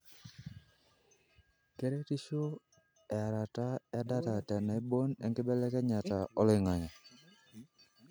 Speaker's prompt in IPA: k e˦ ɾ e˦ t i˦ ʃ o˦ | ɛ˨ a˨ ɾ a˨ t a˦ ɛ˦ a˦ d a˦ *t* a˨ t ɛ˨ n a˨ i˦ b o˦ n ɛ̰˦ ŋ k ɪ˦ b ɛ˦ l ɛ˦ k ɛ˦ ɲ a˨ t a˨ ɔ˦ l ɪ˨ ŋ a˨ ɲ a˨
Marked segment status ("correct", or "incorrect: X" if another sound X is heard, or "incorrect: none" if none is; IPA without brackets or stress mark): correct